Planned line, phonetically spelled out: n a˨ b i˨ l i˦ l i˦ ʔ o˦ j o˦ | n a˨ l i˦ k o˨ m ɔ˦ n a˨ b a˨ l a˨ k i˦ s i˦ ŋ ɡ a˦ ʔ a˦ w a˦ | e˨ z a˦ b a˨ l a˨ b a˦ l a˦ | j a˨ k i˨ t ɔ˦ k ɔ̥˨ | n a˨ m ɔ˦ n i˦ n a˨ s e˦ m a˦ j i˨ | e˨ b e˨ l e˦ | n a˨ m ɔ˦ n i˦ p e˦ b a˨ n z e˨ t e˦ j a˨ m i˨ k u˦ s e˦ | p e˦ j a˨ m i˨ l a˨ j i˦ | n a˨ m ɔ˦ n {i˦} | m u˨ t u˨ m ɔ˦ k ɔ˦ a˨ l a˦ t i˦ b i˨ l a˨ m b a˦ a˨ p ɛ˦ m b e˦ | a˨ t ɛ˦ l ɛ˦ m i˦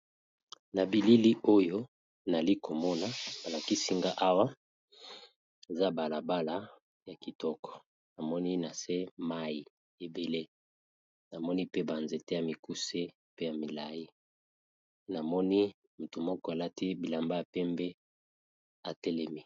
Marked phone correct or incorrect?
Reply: correct